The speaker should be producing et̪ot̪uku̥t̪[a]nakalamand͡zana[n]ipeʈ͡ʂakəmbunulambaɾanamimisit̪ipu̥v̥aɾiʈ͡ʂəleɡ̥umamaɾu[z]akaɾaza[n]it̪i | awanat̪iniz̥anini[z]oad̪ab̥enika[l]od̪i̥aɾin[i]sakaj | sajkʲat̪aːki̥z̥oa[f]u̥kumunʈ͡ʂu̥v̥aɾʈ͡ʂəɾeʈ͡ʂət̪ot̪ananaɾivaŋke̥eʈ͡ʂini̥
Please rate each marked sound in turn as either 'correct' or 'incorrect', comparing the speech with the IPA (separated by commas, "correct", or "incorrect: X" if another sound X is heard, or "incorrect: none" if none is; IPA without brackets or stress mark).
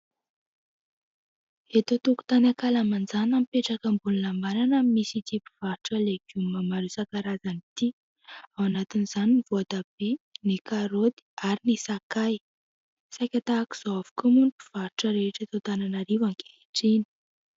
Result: correct, incorrect: m, incorrect: s, correct, incorrect: v, incorrect: ɾ, correct, incorrect: v